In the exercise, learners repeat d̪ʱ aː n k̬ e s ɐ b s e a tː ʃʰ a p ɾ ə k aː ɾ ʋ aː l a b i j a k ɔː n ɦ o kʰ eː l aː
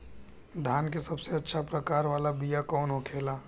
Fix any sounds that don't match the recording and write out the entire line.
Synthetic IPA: d̪ʱ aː n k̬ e s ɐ b s e ɐ tː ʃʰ a p ɾ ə k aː ɾ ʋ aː l a b i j a k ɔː n ɦ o kʰ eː l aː

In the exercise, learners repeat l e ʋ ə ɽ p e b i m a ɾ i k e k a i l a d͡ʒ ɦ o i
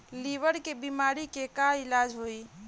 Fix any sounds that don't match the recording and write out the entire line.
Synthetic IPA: l i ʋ ə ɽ k e b i m a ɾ i k e k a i l a d͡ʒ ɦ o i

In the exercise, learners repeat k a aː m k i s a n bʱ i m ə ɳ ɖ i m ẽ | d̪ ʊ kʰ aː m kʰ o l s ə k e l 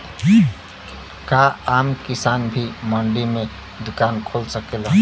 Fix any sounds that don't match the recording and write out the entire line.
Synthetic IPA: k a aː m k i s a n bʱ i m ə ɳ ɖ i m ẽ | d̪ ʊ k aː n kʰ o l s ə k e l

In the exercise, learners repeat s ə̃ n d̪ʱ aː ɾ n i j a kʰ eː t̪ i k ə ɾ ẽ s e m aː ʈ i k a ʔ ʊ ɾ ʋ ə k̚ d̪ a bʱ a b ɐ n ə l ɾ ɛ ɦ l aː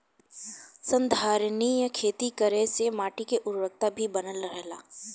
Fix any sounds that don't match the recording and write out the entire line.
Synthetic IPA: s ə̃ n d̪ʱ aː ɾ n i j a kʰ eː t̪ i k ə ɾ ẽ s e m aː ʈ i k e ʔ ʊ ɾ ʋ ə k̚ t̪ a bʱ i b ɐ n ə l ɾ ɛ ɦ l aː

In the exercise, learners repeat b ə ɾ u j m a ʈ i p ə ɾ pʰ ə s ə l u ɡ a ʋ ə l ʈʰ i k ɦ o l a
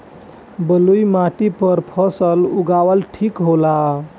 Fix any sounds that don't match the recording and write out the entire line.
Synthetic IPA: b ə l u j m a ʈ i p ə ɾ pʰ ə s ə l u ɡ a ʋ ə l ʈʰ i k ɦ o l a

